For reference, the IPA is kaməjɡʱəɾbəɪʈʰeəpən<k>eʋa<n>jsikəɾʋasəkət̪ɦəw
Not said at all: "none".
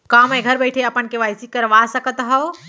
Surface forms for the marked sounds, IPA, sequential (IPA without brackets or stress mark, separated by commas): k, none